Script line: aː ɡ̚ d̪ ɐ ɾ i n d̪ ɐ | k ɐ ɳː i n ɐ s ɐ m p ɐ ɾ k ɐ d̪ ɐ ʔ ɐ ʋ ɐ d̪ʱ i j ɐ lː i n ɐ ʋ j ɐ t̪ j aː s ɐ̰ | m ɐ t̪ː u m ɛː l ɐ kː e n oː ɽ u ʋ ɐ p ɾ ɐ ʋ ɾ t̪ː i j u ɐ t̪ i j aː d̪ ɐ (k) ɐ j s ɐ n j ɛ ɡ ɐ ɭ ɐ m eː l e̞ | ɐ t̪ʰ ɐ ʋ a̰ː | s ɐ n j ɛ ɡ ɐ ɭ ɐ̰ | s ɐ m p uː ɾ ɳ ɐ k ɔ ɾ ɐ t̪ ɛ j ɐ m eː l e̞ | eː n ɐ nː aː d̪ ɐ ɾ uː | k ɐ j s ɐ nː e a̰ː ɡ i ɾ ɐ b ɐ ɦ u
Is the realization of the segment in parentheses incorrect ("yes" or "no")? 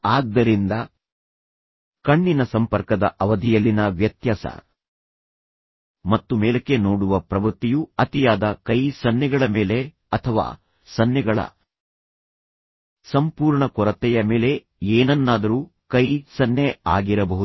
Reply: no